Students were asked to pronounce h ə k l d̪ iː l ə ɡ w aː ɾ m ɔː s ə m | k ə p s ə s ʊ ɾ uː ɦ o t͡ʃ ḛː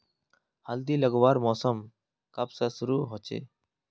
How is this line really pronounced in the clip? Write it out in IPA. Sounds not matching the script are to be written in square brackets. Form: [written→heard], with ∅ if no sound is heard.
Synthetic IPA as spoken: h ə [k→∅] l d̪ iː l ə ɡ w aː ɾ m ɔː s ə m | k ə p s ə s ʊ ɾ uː ɦ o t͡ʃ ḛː